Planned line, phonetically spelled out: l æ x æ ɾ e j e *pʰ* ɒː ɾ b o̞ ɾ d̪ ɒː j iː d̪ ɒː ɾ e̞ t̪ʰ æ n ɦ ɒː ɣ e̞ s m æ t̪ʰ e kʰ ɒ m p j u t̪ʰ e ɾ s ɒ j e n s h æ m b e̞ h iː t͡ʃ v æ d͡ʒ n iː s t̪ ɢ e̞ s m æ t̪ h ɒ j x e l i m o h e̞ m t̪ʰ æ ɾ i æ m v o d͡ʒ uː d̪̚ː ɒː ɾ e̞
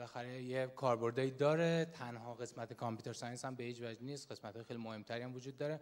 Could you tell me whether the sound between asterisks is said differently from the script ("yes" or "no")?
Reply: yes